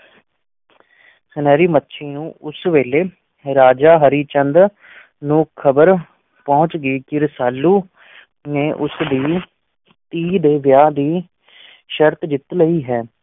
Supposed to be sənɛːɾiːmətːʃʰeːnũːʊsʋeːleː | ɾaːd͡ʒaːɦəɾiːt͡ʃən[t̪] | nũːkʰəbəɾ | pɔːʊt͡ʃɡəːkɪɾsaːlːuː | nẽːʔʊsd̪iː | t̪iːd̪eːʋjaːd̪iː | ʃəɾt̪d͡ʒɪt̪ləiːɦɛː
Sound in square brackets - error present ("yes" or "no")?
yes